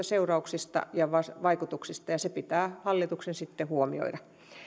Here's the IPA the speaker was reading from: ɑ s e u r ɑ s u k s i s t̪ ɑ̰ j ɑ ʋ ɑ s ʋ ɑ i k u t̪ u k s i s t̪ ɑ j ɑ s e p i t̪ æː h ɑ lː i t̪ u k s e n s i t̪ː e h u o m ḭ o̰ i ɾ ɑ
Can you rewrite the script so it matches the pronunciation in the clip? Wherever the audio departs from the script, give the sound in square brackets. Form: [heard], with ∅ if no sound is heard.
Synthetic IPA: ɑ s e u r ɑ [∅] u k s i s t̪ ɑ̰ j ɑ ʋ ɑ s ʋ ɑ i k u t̪ u k s i s t̪ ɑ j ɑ s e p i t̪ æː h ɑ lː i t̪ u k s e n s i t̪ː e h u o m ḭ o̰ i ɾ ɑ